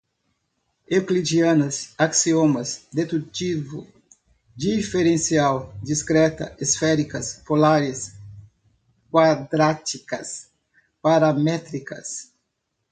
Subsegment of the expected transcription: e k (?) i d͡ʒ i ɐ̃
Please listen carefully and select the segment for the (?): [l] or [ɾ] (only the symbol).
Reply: l